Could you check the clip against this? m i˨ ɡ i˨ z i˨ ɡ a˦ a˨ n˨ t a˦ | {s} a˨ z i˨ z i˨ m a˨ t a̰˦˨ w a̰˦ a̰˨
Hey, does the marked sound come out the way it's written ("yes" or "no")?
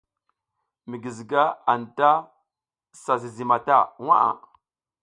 yes